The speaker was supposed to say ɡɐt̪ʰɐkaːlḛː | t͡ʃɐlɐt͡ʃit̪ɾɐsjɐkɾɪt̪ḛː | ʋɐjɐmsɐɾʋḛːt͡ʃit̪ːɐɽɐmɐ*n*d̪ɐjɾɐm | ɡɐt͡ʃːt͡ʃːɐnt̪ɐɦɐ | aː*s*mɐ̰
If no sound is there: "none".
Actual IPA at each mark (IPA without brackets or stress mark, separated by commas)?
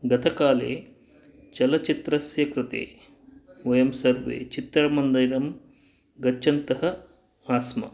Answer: n, s